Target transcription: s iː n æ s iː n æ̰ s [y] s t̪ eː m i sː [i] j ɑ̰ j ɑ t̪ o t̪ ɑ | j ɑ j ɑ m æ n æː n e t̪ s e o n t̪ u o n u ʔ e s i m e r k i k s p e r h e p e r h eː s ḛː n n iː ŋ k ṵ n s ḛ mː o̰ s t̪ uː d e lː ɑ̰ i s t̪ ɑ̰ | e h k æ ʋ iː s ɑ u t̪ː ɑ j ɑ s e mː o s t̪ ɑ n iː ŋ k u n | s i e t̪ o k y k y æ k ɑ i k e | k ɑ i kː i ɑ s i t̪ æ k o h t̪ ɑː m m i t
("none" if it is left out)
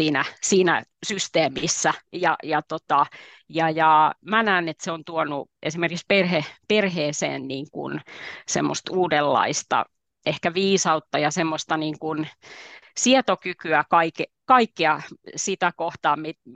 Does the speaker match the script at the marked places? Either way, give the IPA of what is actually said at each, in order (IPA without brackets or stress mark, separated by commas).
y, æ